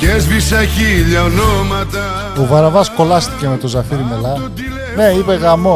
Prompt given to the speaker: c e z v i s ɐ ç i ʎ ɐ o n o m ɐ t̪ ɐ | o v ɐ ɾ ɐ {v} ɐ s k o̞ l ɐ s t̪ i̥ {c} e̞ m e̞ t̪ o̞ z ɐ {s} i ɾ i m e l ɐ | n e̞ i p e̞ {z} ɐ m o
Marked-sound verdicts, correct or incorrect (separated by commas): correct, correct, incorrect, incorrect